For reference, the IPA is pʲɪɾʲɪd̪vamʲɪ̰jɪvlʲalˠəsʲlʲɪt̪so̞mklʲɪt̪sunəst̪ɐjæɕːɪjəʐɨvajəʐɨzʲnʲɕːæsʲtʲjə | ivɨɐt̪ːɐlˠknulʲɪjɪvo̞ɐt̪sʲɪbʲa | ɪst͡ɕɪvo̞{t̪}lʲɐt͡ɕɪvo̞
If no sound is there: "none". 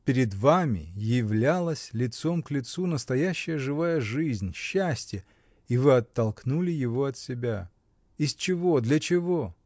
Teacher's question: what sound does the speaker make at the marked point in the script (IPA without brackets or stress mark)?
d̪